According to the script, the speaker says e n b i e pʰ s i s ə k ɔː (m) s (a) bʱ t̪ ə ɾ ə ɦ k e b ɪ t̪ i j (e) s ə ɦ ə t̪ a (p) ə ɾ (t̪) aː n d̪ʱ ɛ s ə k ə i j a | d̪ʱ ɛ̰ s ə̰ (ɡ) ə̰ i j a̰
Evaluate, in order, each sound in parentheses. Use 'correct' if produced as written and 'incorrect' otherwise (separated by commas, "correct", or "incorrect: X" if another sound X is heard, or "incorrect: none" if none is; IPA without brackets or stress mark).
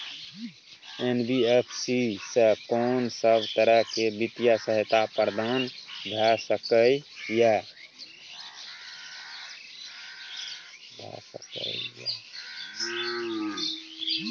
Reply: incorrect: n, incorrect: ə, incorrect: a, correct, incorrect: d̪, incorrect: k